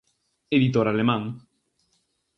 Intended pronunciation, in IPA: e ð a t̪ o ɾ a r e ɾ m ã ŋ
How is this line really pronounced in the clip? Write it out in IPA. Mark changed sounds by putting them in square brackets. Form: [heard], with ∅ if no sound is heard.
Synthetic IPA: e ð [i] t̪ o ɾ a [l] e [∅] m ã ŋ